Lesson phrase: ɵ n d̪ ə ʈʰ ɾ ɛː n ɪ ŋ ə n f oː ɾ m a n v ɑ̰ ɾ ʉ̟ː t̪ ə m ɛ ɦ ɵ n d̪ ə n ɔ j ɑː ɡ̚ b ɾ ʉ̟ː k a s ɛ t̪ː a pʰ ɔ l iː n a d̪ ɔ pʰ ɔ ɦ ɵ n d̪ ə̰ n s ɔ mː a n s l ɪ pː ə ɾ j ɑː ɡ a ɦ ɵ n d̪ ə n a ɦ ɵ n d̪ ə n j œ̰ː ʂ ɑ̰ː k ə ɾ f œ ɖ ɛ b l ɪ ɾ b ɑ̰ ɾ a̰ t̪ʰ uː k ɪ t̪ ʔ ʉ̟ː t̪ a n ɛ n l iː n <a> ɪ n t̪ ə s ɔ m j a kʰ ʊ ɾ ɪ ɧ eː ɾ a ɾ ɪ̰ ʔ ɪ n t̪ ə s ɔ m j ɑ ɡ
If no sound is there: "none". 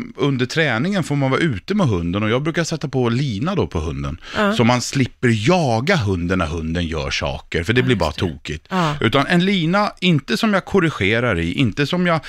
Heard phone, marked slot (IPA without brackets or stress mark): a